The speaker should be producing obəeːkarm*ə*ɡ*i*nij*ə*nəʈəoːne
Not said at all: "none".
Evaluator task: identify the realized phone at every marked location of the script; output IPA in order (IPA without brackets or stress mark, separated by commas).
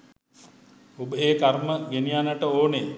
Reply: ə, e, a